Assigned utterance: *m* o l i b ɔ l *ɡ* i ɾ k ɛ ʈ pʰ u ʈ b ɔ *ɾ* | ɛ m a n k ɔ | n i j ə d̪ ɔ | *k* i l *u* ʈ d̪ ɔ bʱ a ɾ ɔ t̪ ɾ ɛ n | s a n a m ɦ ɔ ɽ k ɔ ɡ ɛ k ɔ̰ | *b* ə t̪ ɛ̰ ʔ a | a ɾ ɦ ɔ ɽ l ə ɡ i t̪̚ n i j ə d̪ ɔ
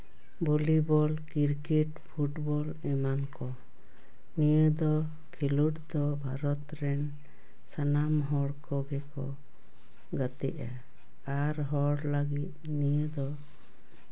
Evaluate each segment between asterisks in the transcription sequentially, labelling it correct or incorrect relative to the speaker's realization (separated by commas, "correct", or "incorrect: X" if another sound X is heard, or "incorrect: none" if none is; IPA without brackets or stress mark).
incorrect: b, incorrect: k, incorrect: l, incorrect: kʰ, correct, incorrect: ɡ